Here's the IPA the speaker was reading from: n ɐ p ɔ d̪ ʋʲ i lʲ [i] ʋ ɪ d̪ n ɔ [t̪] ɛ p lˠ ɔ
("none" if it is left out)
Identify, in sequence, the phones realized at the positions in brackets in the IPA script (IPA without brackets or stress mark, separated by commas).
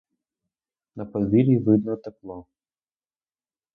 i, t̪